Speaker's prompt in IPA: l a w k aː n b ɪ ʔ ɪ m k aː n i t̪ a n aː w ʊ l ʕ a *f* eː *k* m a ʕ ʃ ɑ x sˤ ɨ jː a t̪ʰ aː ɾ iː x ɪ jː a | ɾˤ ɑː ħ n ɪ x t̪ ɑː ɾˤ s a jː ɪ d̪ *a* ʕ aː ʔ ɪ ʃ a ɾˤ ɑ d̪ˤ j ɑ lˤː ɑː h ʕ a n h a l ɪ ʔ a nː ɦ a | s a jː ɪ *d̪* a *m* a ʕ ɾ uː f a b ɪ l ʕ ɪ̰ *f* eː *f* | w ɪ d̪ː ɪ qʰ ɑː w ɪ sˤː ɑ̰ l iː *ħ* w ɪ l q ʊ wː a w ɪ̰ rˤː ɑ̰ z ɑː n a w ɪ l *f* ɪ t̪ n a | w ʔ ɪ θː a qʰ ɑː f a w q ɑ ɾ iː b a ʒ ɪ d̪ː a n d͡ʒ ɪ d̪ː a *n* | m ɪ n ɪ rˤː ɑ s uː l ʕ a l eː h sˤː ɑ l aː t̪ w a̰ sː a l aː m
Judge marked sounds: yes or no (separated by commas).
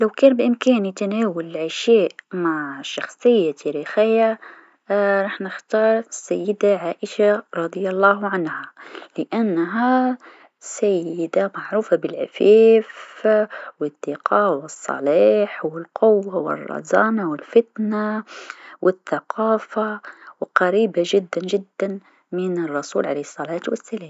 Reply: no, no, yes, yes, yes, yes, yes, yes, yes, yes